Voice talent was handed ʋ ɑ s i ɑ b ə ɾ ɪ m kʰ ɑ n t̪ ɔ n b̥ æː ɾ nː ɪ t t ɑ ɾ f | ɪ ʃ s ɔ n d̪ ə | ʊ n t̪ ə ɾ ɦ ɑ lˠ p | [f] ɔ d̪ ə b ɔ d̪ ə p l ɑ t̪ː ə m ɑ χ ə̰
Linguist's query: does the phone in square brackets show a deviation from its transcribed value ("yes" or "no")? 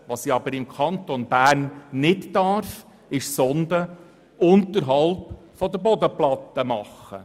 no